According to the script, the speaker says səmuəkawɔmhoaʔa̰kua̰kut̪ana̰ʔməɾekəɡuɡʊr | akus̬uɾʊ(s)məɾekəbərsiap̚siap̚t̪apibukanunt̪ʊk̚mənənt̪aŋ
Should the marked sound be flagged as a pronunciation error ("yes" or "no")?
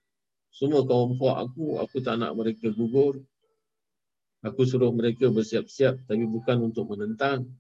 yes